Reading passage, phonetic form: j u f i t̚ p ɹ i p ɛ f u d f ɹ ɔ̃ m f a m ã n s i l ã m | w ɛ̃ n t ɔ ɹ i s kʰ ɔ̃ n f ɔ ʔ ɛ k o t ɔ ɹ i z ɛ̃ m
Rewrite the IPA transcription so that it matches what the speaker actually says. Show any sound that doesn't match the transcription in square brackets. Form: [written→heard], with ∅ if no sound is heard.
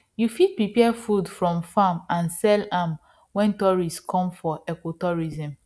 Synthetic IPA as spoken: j u f i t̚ p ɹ i p ɛ f u d f ɹ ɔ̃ m f a m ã n s [i→ɛ] l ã m | w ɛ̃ n t ɔ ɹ i s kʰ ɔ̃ [n→m] f ɔ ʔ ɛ k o t ɔ ɹ i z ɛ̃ m